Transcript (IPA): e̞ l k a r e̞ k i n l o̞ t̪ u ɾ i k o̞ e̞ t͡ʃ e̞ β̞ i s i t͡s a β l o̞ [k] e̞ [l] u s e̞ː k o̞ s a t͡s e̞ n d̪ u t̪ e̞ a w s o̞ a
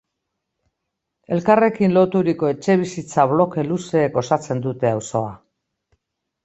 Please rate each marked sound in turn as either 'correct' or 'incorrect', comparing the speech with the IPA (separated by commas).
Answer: correct, correct